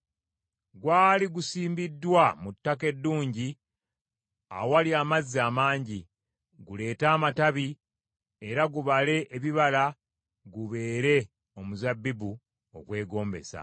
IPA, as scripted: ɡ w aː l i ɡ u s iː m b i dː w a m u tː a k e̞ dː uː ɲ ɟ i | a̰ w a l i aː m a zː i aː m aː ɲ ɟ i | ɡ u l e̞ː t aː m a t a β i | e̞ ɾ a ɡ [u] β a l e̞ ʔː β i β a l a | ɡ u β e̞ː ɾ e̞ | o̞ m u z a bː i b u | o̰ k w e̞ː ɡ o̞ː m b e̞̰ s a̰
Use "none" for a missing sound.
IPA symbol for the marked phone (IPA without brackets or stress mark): u